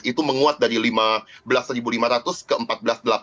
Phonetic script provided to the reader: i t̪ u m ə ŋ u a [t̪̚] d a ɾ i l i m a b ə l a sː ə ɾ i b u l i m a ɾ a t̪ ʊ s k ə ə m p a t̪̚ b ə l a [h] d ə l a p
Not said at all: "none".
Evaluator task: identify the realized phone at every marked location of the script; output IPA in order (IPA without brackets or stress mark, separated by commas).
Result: t̪̚, s